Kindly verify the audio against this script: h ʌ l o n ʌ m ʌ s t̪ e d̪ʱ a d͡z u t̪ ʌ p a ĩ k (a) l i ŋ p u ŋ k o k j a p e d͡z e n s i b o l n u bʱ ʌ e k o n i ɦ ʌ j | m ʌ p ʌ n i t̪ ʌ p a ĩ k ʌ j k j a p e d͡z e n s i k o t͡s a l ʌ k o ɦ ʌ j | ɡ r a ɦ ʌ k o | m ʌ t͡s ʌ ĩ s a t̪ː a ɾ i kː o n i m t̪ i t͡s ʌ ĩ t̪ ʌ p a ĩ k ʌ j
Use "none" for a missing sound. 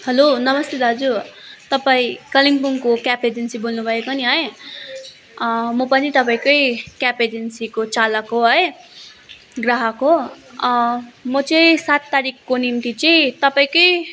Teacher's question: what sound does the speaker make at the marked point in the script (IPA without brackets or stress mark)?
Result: ʌ